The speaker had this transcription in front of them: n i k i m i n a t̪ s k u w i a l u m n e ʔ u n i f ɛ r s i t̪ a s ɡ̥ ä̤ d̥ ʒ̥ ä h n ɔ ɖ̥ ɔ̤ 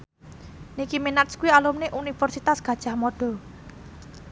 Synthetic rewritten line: n i k i m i n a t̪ s k u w i a l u m n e ʔ u n i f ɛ r s i t̪ a s ɡ̥ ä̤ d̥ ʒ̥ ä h m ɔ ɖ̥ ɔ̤

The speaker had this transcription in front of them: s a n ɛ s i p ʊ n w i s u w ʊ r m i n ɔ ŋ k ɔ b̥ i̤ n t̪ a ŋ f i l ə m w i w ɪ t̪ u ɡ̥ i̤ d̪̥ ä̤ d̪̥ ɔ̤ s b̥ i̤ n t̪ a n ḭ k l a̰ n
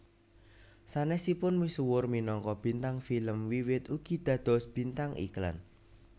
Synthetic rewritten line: s a n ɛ s i p ʊ n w i s u w ʊ r m i n ɔ ŋ k ɔ b̥ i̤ n t̪ a ŋ f i l ə m w i w ɪ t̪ u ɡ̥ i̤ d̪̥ ä̤ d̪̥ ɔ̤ s b̥ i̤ n t̪ a ŋ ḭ k l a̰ n

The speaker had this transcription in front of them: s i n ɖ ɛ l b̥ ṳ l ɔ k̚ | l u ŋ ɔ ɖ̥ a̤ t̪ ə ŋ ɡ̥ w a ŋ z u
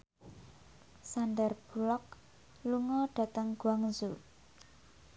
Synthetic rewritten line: s a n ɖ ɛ r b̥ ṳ l ɔ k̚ | l u ŋ ɔ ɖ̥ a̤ t̪ ə ŋ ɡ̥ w a ŋ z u

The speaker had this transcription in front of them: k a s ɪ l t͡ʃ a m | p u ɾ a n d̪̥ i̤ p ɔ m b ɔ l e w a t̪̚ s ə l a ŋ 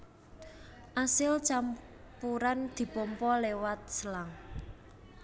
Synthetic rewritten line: ʔ a s ɪ l t͡ʃ a m | p u ɾ a n d̪̥ i̤ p ɔ m p ɔ l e w a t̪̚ s ə l a ŋ

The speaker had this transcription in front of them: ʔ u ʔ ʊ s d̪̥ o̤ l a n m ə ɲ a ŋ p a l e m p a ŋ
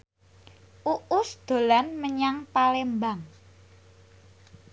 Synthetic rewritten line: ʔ u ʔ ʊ s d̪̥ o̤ l a n m ə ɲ a ŋ p a l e m b a ŋ

